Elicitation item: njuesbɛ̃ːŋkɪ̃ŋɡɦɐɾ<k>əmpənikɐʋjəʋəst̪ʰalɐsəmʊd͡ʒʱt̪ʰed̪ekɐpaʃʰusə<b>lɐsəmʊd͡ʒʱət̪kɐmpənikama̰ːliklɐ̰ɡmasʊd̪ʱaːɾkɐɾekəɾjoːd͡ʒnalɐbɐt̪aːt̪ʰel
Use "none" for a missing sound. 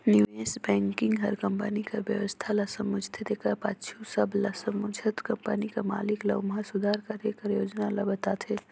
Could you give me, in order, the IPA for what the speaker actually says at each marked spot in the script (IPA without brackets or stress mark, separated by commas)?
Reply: k, b